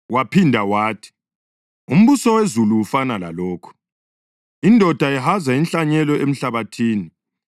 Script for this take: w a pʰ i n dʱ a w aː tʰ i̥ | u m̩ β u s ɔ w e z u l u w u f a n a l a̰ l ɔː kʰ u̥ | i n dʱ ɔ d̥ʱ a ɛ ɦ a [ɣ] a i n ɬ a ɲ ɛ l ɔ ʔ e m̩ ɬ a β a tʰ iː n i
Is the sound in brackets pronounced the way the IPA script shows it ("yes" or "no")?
no